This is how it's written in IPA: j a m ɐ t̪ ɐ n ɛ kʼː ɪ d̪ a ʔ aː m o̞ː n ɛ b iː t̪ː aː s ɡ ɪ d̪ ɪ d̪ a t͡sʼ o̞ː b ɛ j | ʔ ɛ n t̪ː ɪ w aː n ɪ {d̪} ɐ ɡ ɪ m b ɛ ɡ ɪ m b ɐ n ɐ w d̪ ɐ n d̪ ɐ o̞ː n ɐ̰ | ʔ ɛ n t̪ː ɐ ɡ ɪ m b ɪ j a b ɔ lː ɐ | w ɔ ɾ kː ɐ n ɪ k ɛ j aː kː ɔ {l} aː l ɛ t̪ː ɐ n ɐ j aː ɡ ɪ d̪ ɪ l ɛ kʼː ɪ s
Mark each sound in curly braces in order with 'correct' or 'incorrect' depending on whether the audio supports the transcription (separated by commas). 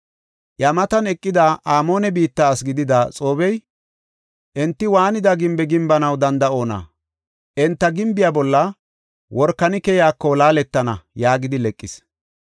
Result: correct, correct